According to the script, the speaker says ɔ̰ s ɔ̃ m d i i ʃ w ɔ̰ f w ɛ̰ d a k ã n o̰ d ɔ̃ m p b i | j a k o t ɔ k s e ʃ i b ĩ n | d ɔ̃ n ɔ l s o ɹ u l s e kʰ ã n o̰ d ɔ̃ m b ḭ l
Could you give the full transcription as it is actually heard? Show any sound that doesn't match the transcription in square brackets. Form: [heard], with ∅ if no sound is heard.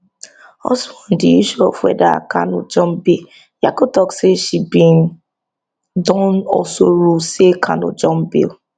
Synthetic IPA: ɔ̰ s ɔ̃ [n] d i i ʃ [u] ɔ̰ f w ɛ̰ d a k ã n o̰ [d͡ʒ] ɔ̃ m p b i | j a k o t ɔ k s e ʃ i b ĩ n | d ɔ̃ n ɔ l s o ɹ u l s e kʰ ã n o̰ [d͡ʒ] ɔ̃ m b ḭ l